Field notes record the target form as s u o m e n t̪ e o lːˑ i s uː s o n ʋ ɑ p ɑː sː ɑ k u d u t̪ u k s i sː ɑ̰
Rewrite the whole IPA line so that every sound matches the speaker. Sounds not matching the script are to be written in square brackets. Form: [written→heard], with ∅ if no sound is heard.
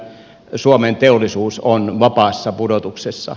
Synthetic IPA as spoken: s u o m e n t̪ e o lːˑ i s uː s o n ʋ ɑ p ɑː sː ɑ [k→p] u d [u→o] t̪ u k s [i→e] sː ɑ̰